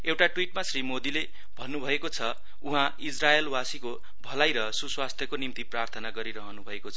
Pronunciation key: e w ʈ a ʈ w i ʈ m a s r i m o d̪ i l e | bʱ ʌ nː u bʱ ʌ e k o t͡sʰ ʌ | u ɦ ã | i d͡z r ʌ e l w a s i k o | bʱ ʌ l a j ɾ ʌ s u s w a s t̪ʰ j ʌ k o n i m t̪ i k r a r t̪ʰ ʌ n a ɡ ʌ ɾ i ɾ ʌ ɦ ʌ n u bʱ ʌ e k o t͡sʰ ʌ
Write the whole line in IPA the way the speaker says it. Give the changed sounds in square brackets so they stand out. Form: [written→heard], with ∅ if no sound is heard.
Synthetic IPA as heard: e w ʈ a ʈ w i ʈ m a s r i m o d̪ i l e | bʱ ʌ nː u bʱ ʌ e k o t͡sʰ ʌ | u ɦ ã | i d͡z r [ʌ→a] e l w a s i k o | bʱ ʌ l a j ɾ ʌ s u s w a s t̪ʰ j ʌ k o n i m t̪ i [k→p] r a r t̪ʰ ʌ n a ɡ ʌ ɾ i ɾ ʌ ɦ ʌ n u bʱ ʌ e k o t͡sʰ ʌ